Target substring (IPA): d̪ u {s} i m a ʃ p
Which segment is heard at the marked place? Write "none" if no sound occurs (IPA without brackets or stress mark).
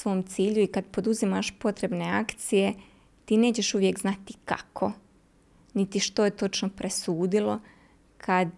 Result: z